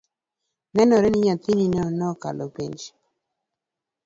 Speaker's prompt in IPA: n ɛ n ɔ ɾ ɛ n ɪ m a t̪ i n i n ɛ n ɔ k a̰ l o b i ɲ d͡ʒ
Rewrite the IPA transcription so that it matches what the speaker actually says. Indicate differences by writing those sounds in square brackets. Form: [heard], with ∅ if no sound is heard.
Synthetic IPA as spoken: n ɛ n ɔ ɾ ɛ n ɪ [ɲ] a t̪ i n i n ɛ n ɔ k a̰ l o [p] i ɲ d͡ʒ